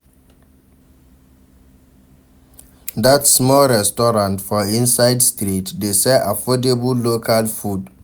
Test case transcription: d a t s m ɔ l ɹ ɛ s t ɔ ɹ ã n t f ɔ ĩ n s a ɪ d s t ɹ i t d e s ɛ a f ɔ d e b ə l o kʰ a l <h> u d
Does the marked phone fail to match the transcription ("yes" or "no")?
yes